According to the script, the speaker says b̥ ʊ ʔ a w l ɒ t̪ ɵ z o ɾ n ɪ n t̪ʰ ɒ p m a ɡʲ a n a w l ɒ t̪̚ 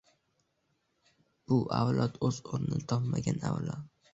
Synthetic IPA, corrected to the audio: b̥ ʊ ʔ a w l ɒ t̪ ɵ z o ɾ n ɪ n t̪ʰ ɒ p m a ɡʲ a n a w l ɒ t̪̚